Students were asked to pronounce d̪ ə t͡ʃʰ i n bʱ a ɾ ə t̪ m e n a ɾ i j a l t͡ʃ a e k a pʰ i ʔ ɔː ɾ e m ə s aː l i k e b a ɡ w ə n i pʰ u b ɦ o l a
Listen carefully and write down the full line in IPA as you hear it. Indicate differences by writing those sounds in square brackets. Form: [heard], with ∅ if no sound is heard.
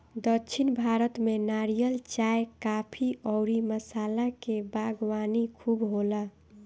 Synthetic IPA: d̪ ə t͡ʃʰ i n bʱ a ɾ ə t̪ m e n a ɾ i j [ə] l t͡ʃ a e k a pʰ i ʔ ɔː ɾ [i] m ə s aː l [a] k e b a ɡ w [a] n i [kʰ] u b ɦ o l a